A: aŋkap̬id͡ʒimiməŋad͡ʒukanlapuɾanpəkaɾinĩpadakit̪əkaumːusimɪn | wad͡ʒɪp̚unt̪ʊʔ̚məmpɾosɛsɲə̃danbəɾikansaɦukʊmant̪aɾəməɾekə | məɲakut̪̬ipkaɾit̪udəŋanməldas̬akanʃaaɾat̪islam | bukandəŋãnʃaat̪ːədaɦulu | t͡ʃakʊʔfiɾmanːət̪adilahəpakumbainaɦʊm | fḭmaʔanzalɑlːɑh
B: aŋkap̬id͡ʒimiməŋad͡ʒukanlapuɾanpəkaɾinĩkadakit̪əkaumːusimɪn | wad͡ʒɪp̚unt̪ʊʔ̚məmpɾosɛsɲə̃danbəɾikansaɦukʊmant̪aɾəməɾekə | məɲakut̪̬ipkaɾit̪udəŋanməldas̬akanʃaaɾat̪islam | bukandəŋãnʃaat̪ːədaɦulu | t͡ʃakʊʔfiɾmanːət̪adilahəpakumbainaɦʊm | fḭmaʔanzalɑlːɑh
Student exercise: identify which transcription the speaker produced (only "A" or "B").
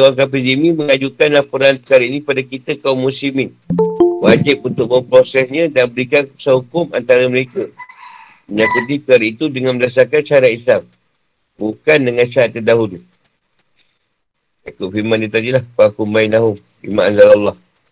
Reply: A